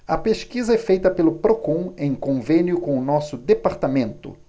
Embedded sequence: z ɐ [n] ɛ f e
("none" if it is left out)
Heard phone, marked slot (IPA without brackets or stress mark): none